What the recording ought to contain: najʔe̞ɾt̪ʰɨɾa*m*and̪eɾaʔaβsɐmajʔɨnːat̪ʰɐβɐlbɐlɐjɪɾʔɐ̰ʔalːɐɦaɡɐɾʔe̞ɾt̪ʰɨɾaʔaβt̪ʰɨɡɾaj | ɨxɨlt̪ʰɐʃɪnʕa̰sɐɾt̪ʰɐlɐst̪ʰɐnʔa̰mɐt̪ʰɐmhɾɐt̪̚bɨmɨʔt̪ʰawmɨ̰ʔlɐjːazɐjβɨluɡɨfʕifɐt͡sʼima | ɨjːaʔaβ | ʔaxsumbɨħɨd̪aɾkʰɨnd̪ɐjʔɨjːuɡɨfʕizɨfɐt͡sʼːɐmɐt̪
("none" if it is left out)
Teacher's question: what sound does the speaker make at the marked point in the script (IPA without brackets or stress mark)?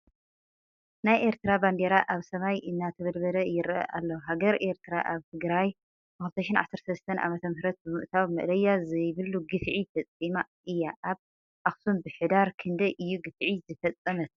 b